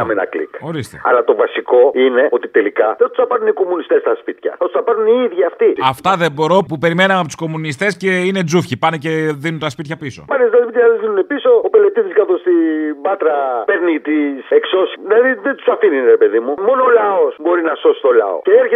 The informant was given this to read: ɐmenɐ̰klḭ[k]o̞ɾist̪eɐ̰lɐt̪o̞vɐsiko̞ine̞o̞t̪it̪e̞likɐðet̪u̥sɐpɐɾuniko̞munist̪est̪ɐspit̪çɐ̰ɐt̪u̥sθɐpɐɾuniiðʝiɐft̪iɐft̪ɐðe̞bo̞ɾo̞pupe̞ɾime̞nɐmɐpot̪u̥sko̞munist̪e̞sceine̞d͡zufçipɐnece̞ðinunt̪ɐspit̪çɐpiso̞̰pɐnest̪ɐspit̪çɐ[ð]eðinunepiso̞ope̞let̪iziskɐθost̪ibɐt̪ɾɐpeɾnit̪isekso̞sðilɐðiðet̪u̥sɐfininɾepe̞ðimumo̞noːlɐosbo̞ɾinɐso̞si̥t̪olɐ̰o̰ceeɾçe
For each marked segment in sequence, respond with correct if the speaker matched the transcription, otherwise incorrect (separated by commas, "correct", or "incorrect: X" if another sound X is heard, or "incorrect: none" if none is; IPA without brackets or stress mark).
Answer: correct, correct